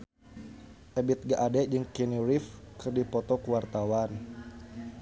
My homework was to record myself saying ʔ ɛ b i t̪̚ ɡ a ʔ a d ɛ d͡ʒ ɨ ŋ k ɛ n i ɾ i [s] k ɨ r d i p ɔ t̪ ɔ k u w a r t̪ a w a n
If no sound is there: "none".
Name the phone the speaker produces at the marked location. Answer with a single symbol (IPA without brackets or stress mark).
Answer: f